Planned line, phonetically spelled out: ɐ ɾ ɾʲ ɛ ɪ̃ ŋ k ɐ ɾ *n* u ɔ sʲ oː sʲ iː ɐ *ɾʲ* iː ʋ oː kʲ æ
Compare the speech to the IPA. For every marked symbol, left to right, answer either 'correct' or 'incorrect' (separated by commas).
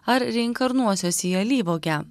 correct, incorrect